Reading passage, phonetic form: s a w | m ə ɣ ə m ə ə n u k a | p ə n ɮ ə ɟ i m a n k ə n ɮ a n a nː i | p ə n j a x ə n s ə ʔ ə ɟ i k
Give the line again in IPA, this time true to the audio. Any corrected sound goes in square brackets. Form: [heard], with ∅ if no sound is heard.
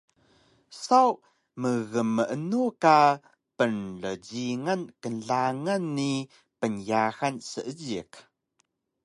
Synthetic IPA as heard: s a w | m ə ɣ ə m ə ə n u k a | p ə n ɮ ə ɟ i [ŋ] a n k ə n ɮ a [ŋ] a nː i | p ə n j a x [a] n s ə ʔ ə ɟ i k

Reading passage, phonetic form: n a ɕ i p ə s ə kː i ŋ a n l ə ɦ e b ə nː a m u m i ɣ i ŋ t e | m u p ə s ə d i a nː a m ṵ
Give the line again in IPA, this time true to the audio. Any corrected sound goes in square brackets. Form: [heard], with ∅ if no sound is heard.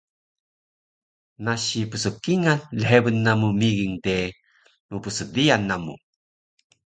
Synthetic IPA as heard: n a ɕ i p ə s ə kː i ŋ a n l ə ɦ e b ə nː a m u m i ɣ i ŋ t e | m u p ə s ə d i a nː a m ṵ

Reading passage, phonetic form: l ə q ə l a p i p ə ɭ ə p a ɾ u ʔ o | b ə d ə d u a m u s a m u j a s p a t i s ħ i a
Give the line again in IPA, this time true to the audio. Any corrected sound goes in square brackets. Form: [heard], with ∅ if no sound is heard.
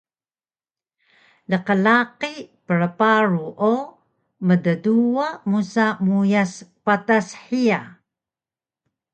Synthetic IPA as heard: l ə q ə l a [q] i p ə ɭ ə p a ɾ u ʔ o | [m] ə d ə d u a m u s a m u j a s p a t [a] s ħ i a

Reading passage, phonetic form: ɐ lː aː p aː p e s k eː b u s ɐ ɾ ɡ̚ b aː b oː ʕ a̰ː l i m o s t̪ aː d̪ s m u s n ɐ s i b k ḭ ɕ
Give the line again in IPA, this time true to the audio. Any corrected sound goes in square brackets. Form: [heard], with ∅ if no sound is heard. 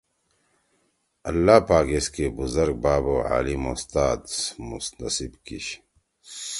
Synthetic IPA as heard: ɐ lː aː p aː [k] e s k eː b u [z] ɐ ɾ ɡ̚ b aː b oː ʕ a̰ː l i m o s t̪ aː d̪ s m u s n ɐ s i b k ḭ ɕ

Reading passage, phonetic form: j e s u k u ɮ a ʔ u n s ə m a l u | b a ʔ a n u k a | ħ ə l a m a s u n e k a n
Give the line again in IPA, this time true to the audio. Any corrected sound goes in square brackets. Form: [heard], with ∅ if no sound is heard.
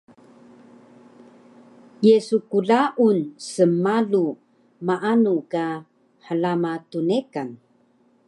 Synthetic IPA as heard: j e s u k u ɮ a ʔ u n s ə m a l u | [m] a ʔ a n u k a | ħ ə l a m a [t] u n e k a n

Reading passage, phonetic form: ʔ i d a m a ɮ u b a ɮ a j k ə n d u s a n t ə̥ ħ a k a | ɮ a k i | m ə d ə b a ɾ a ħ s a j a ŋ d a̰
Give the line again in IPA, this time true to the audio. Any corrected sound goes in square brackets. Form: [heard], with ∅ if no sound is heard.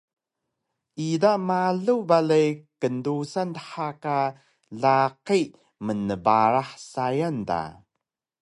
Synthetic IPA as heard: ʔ i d a m a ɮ u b a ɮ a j k ə n d u s a n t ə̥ ħ a k a | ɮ a [q] i | m ə [n] ə b a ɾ a ħ s a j a [n] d a̰

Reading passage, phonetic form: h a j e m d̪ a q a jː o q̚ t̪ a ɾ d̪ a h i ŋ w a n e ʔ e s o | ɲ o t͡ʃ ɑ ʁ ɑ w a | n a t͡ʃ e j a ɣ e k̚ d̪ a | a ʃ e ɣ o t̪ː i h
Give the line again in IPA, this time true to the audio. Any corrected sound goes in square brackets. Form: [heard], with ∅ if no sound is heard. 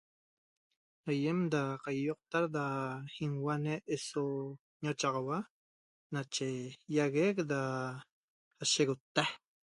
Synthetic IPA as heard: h a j e m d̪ a q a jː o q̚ t̪ a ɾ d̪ a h i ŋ w a n e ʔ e s o | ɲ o t͡ʃ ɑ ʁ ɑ w a | n a t͡ʃ e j a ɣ e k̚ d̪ a | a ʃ e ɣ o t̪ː [a] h

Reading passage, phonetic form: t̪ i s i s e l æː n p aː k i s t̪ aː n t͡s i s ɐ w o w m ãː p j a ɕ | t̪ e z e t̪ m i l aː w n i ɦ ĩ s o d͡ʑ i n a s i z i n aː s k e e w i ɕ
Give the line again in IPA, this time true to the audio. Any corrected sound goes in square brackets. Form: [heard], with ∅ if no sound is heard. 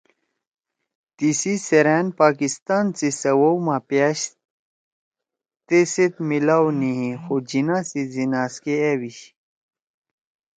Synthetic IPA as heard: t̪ i s i s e [ɾ] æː n p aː k i s t̪ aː n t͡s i s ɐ w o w m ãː p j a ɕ | t̪ e [s] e t̪ m i l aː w n i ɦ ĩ [x] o d͡ʑ i n a s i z i n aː s k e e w i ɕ

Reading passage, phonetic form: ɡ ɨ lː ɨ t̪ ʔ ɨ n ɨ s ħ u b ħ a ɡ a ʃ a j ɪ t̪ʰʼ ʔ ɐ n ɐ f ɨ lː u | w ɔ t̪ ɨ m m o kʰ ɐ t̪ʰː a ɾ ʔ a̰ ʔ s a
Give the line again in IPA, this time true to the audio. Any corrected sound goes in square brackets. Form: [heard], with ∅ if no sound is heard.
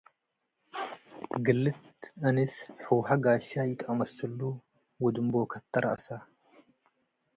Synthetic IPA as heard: ɡ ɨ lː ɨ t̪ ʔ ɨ n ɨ s ħ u [w] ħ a ɡ a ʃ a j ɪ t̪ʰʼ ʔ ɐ [m] ɐ [s] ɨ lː u | w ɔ [d̪] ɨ m [b] o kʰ ɐ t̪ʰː [ɐ] ɾ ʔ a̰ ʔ s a

